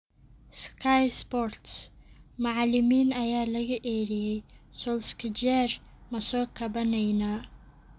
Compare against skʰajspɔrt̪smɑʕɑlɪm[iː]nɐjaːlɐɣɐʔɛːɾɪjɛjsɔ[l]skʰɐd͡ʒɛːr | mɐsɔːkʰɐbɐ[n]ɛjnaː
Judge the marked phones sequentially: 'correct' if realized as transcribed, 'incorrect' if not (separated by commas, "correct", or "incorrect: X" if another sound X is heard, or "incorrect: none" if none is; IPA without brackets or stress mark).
correct, correct, correct